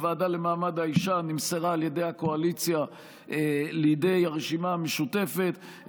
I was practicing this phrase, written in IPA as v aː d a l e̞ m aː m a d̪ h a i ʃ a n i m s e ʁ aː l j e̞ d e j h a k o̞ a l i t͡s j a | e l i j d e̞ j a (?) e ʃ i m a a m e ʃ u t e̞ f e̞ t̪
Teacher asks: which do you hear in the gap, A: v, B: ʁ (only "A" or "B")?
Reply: B